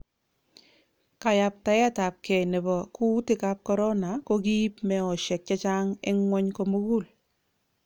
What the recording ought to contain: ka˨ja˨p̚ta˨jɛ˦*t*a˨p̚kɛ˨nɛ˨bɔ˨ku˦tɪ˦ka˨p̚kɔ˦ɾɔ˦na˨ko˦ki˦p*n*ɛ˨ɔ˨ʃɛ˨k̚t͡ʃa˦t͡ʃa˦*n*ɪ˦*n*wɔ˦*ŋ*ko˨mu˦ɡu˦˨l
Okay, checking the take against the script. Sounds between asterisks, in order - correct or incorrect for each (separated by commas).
correct, incorrect, incorrect, incorrect, incorrect